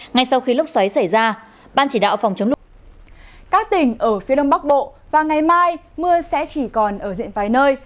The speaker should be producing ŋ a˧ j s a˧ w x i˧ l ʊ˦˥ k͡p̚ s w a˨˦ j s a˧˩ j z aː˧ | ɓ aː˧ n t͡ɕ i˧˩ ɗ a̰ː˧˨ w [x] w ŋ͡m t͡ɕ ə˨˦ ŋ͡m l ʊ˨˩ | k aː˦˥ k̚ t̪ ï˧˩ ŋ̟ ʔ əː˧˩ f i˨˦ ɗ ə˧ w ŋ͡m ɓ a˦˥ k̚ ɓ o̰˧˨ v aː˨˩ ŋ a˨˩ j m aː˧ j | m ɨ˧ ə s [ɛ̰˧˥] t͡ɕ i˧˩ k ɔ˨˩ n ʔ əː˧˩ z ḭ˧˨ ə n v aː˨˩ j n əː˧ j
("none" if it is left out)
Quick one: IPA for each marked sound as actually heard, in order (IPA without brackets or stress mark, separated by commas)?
f, ɛ̰˧˥